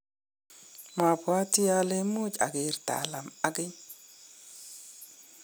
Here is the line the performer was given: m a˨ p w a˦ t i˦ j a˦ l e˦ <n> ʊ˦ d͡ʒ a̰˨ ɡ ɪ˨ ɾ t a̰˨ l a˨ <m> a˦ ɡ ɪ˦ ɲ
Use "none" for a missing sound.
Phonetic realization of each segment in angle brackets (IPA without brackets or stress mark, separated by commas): m, m